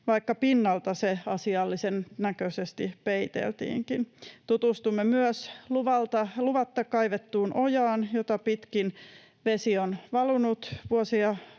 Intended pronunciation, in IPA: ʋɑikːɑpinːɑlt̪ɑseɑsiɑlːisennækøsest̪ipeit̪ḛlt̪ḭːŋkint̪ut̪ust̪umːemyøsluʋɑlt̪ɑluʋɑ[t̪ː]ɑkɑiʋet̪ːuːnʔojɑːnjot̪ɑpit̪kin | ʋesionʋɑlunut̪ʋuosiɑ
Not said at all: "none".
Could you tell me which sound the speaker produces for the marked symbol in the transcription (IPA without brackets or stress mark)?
t̪ː